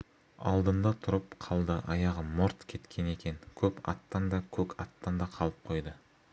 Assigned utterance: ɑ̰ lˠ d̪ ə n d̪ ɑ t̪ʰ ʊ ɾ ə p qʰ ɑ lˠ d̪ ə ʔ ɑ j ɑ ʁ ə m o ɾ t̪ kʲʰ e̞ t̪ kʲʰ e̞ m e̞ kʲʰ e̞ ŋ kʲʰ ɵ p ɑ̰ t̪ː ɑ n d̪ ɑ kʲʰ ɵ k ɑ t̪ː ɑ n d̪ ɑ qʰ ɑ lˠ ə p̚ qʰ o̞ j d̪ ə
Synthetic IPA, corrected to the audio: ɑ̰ lˠ d̪ ə n d̪ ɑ t̪ʰ ʊ ɾ ə p qʰ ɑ lˠ d̪ ə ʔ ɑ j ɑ ʁ ə m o ɾ t̪ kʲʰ e̞ t̪ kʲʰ e̞ n e̞ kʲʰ e̞ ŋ kʲʰ ɵ p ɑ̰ t̪ː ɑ n d̪ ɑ kʲʰ ɵ k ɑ t̪ː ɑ n d̪ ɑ qʰ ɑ lˠ ə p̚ qʰ o̞ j d̪ ə